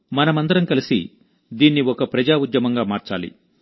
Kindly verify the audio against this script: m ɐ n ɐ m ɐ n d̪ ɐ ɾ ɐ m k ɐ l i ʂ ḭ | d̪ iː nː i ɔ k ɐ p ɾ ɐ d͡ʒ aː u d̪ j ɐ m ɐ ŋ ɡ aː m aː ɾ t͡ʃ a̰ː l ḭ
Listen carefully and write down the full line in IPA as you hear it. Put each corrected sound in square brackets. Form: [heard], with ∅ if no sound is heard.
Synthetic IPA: m ɐ n ɐ m ɐ n d̪ ɐ ɾ ɐ m k ɐ l i [s] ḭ | d̪ iː nː i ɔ k ɐ p ɾ ɐ d͡ʒ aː u d̪ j ɐ m ɐ ŋ ɡ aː m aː ɾ t͡ʃ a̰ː l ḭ